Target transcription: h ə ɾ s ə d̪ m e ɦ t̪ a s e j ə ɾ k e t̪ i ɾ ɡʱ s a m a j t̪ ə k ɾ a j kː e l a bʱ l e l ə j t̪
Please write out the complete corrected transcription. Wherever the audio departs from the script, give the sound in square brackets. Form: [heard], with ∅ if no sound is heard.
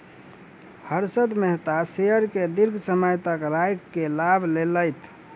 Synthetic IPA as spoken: h ə ɾ s ə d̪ m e ɦ t̪ a s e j ə ɾ k e [d̪] i ɾ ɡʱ s [ə] m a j t̪ ə k ɾ a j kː e l a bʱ l e l ə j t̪